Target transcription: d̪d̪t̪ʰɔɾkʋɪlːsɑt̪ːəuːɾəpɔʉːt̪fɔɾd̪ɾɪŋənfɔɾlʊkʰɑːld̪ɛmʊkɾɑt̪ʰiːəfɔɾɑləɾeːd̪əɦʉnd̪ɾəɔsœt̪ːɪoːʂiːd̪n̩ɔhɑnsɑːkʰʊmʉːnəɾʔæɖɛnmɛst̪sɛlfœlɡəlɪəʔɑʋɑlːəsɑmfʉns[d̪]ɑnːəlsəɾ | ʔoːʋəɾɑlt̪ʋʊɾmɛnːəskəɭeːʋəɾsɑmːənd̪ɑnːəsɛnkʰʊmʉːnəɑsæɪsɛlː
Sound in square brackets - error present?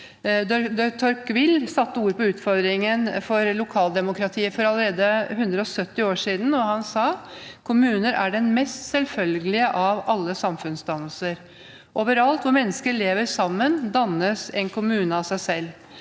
no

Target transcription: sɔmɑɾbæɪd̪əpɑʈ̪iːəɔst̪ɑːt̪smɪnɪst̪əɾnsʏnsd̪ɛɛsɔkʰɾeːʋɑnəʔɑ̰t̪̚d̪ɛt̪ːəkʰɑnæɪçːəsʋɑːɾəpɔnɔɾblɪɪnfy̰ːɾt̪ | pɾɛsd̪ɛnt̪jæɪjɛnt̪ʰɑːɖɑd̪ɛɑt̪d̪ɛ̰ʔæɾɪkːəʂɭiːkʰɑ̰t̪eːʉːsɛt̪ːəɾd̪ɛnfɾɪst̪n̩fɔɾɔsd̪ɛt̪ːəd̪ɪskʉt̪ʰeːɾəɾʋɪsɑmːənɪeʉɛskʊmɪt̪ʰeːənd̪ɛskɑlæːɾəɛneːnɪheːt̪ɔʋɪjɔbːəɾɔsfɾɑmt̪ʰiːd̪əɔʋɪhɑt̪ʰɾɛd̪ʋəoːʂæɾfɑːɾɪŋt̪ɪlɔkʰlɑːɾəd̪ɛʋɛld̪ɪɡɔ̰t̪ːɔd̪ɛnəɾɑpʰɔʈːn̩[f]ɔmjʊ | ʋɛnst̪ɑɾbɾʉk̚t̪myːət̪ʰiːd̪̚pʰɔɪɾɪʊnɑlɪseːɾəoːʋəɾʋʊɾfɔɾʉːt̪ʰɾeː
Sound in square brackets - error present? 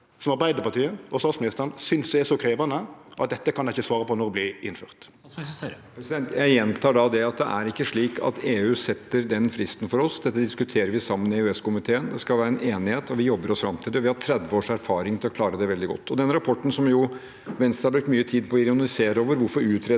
yes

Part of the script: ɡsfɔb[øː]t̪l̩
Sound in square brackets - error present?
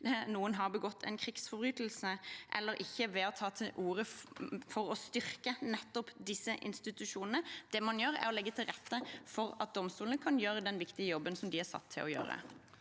yes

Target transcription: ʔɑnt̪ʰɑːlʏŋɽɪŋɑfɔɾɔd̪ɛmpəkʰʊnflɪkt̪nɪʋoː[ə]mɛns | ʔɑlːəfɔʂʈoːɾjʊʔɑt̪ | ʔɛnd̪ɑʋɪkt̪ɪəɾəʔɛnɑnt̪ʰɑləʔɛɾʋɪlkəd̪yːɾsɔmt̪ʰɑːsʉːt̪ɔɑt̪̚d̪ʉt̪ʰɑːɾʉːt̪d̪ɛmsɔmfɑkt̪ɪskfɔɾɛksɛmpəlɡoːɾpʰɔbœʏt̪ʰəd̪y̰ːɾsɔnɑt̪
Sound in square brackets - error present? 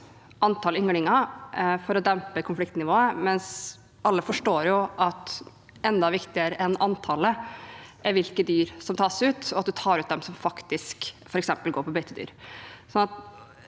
no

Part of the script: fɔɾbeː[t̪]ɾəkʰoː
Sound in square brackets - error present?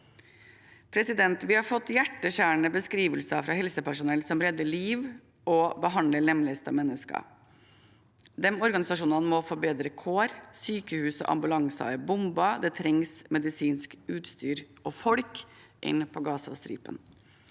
yes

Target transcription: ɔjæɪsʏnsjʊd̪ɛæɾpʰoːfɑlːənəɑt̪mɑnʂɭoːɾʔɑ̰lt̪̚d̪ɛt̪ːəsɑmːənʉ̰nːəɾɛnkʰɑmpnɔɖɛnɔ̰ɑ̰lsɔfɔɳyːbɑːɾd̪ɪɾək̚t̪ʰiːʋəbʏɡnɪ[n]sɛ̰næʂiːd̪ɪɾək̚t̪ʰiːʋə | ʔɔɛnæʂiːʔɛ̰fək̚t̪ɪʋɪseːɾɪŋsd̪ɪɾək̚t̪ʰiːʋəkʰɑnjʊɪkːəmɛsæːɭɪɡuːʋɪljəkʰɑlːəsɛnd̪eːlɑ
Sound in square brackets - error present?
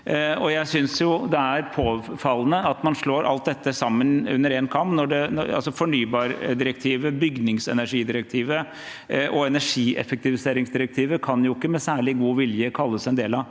yes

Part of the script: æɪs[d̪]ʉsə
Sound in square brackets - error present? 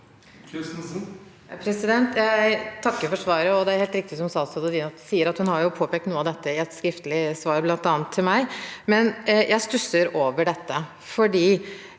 yes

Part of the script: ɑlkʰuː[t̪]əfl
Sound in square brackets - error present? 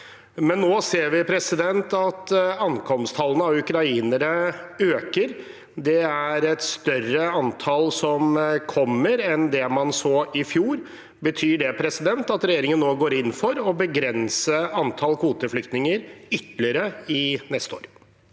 no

